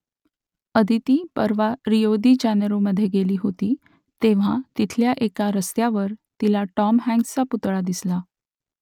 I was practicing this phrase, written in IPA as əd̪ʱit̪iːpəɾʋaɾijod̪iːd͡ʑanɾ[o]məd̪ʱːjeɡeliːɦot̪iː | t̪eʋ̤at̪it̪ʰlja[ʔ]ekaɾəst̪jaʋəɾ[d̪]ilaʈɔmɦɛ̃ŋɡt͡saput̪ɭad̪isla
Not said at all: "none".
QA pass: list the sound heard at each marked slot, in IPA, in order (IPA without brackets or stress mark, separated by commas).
o, ʔ, t̪